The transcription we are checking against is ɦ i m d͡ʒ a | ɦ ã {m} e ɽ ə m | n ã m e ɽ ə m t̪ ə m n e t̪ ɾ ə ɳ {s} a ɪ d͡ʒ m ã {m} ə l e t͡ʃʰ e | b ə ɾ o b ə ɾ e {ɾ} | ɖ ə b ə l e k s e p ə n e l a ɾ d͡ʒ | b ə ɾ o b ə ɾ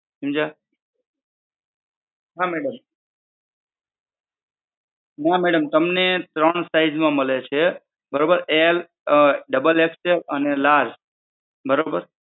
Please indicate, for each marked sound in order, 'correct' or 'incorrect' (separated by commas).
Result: correct, correct, correct, incorrect